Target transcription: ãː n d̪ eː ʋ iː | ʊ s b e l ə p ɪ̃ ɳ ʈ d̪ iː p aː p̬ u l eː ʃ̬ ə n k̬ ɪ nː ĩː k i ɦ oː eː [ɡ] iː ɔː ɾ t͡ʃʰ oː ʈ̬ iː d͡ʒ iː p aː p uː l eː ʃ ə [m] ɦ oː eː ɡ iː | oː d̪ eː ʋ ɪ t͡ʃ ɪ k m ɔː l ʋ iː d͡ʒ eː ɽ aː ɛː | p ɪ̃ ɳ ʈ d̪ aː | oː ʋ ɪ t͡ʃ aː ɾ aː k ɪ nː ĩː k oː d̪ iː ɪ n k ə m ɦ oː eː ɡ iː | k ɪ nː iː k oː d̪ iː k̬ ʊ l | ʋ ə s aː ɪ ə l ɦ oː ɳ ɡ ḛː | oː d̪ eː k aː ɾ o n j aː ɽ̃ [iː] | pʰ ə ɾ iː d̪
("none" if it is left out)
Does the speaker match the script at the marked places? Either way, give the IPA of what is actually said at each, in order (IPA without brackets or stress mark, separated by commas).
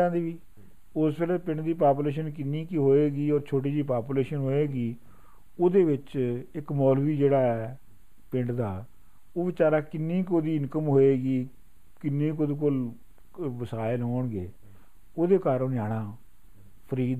ɡ, n, aː